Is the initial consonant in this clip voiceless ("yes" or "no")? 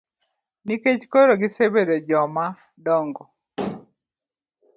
no